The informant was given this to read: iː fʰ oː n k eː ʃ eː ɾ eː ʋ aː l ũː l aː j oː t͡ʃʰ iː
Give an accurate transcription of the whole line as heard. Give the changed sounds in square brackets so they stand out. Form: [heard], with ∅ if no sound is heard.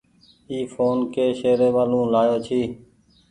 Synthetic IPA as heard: iː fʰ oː n k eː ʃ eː ɾ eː ʋ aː l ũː l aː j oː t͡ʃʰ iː

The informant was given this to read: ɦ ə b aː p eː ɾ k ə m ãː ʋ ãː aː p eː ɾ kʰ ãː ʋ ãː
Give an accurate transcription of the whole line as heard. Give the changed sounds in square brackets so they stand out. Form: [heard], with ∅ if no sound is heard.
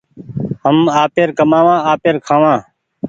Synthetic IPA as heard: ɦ ə [m] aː p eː ɾ k ə m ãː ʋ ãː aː p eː ɾ kʰ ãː ʋ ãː

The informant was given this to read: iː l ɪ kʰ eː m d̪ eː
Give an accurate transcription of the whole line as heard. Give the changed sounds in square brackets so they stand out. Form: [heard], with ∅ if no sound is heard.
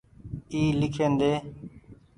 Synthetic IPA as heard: iː l ɪ kʰ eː [n] d̪ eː

